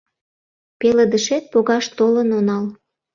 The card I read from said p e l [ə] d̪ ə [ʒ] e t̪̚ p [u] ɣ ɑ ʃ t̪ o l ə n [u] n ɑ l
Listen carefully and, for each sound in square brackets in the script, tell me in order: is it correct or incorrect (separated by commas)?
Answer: correct, incorrect, incorrect, incorrect